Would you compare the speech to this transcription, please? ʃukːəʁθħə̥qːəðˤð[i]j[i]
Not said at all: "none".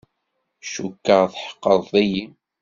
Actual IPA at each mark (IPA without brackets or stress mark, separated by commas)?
æ, i